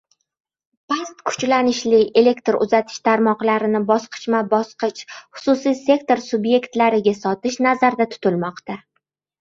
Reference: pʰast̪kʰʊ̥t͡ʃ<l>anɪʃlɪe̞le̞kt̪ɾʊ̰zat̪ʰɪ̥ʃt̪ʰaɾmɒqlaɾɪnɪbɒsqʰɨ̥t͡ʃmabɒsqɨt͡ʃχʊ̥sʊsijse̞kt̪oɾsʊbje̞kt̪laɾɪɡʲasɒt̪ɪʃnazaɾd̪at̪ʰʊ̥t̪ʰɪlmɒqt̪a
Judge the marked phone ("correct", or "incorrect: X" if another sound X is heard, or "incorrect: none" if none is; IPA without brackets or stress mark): correct